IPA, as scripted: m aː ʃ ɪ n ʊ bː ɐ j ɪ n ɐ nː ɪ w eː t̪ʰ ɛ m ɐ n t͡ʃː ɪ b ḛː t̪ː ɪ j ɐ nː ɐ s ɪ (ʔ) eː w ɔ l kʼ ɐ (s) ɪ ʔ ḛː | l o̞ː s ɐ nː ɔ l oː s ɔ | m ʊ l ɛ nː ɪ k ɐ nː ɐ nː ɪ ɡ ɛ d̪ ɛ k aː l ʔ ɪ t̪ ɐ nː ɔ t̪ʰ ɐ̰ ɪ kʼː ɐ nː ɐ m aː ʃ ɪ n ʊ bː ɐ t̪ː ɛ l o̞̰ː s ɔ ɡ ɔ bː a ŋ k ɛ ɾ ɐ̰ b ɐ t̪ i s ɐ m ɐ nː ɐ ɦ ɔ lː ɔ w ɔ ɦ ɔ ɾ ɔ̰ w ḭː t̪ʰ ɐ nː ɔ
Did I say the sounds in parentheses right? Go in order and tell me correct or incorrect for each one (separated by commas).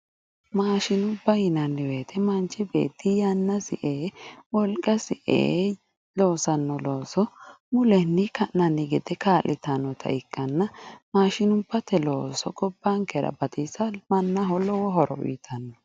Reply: correct, correct